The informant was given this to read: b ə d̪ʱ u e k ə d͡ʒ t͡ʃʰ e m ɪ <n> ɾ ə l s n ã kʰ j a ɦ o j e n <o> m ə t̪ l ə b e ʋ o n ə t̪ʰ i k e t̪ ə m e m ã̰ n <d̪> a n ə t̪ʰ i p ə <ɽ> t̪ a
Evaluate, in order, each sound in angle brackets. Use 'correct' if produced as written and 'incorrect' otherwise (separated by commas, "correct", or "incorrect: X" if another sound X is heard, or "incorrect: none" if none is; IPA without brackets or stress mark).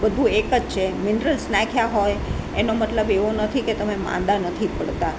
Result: correct, correct, correct, correct